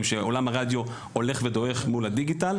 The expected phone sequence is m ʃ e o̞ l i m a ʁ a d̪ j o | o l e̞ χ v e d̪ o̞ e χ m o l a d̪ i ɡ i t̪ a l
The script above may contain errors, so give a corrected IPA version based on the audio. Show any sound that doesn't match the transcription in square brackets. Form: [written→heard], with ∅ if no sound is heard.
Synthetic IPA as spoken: m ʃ e o̞ l [i→a] m a ʁ a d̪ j o | o l e̞ χ v e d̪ o̞ e χ m [o→u] l a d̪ i ɡ i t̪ a l